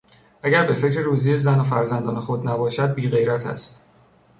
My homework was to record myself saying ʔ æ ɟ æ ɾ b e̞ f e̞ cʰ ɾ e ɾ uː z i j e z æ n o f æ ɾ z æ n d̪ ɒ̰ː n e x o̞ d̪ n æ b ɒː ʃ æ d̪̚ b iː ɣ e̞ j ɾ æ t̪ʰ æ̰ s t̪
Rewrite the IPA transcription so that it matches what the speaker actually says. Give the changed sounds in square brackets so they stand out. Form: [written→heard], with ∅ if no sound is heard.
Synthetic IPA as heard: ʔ æ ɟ æ ɾ b e̞ f e̞ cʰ ɾ e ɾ uː z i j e z æ n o f æ ɾ z æ n d̪ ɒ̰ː n e x o̞ d̪ n æ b ɒː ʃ æ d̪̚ b iː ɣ e̞ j ɾ æ t̪ʰ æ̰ s t̪